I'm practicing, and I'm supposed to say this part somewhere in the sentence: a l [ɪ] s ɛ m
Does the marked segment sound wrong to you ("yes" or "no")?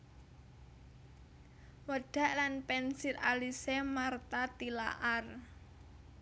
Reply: yes